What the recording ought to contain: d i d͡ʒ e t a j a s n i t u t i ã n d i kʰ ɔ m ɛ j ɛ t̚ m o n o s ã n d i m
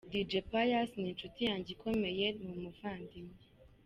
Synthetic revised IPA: d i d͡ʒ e p a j a s n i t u t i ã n d͡ʒ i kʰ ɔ m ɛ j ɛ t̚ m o m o f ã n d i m